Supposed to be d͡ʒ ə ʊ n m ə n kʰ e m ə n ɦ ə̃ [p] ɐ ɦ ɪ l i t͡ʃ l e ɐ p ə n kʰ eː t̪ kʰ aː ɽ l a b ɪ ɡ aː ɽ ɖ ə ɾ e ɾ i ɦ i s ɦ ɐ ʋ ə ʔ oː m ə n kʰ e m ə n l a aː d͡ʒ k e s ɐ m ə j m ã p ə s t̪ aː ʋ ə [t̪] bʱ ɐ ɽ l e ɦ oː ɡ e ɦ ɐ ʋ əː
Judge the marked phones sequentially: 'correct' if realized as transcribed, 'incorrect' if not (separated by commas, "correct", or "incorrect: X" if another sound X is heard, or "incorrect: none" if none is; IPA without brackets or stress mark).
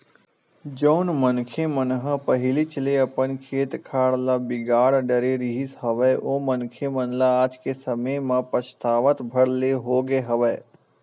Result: correct, correct